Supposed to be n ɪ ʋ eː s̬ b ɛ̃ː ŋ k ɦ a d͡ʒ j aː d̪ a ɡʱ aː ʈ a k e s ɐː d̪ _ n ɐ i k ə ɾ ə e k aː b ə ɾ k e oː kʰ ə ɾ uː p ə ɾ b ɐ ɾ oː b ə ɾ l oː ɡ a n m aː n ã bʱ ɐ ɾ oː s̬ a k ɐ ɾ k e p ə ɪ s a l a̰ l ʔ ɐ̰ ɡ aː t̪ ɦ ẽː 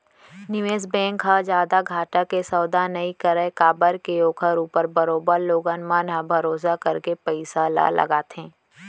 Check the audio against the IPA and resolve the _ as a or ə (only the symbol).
a